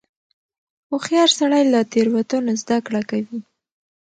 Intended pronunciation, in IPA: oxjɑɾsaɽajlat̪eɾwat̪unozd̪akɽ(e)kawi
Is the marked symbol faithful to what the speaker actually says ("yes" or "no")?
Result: no